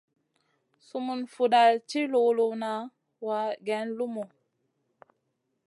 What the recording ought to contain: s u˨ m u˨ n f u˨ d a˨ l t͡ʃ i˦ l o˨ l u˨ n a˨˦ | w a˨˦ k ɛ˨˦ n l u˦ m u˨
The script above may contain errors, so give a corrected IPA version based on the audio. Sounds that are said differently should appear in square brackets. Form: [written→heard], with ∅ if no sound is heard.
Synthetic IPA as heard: s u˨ m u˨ n f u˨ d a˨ l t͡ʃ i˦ l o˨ l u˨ n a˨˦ | w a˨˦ [k→ɡ] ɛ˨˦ n l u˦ m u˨